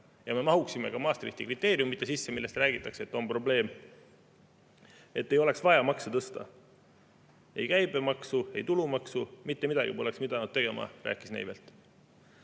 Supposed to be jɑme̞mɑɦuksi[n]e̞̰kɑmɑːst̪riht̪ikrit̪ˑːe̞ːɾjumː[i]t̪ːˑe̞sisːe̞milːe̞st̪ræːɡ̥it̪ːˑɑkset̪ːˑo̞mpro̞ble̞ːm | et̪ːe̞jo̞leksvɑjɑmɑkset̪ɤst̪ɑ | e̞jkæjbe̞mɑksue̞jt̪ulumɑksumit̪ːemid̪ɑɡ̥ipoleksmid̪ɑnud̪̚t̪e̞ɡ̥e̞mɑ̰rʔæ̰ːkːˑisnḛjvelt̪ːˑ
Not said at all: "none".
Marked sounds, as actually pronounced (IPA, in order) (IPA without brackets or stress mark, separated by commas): m, i